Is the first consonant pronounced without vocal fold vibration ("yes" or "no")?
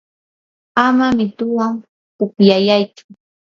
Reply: no